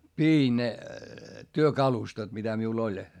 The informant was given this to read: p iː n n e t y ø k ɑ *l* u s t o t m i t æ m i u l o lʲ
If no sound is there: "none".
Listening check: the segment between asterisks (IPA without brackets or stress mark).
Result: l